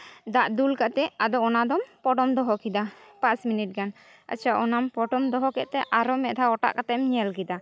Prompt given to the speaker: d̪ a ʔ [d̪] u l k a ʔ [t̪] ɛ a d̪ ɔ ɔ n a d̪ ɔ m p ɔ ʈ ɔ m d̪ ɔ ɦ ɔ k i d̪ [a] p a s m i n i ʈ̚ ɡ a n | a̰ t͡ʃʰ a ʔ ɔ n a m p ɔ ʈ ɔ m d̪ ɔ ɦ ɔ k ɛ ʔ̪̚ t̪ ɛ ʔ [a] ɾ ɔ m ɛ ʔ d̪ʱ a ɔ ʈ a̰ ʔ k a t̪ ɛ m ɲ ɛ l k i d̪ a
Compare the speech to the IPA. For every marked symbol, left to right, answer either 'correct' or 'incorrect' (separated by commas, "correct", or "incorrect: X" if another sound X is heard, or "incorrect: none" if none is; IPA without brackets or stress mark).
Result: correct, correct, correct, correct